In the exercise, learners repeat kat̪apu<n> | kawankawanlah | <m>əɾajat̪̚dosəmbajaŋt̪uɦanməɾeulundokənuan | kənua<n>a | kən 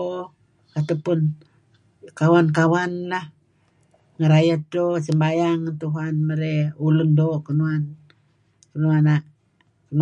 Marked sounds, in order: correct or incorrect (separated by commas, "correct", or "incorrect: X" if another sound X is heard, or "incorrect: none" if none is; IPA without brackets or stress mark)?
correct, incorrect: ŋ, correct